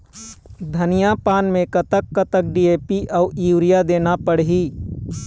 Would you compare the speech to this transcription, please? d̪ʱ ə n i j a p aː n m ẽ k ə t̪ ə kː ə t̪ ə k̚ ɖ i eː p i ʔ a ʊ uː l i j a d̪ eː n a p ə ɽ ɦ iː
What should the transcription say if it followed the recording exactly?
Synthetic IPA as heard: d̪ʱ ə n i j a p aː n m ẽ k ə t̪ ə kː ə t̪ ə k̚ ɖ i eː p i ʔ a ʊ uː ɾ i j a d̪ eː n a p ə ɽ ɦ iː